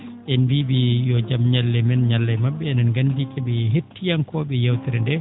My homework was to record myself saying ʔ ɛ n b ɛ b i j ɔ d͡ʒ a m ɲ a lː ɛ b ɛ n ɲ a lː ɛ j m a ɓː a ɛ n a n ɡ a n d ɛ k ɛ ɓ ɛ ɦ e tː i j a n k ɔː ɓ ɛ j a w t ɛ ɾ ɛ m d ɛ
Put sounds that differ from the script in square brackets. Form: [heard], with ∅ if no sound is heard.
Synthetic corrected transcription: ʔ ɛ n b [i] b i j ɔ d͡ʒ a m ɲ a lː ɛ [m] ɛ n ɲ a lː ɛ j m a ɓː [ɛ] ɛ n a n ɡ a n d [i] k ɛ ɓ ɛ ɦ e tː i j a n k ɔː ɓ ɛ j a w t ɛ ɾ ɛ [n] d ɛ